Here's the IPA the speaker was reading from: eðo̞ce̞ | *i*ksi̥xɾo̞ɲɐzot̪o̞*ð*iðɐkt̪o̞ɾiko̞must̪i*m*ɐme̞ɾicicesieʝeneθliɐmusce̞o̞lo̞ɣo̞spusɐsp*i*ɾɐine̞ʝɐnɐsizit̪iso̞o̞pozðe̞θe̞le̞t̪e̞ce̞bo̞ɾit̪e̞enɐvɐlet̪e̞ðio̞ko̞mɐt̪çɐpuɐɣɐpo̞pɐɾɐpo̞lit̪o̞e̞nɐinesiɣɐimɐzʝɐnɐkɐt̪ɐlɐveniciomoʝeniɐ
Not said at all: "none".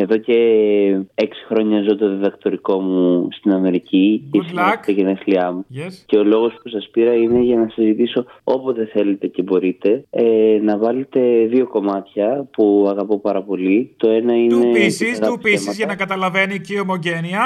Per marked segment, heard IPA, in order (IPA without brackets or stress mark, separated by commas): e, ð, n, i